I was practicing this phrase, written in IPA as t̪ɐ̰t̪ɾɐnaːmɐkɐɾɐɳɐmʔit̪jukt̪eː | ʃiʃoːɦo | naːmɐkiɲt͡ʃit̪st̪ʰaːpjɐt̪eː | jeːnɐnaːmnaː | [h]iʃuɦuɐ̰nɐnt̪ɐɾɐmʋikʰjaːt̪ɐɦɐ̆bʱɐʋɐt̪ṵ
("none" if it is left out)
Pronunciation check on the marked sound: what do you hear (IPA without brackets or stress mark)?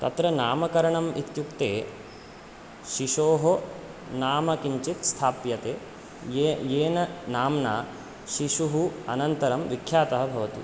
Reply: ʃ